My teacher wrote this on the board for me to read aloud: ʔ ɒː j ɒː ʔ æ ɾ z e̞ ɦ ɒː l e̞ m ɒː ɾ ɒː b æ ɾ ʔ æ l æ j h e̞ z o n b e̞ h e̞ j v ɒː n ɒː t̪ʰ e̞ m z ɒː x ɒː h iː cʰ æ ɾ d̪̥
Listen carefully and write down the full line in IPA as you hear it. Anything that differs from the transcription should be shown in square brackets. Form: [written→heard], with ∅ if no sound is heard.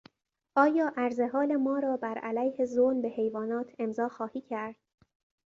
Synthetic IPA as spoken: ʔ ɒː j ɒː ʔ æ ɾ z e̞ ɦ ɒː l e̞ m ɒː ɾ ɒː b æ ɾ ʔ æ l æ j h e̞ z o n b e̞ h e̞ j v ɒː n ɒː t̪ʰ e̞ m z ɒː x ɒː h iː cʰ æ ɾ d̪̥